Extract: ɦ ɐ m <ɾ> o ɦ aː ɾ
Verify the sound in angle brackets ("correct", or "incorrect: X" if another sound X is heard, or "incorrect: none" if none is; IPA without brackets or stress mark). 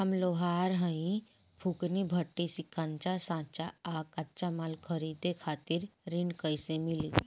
incorrect: l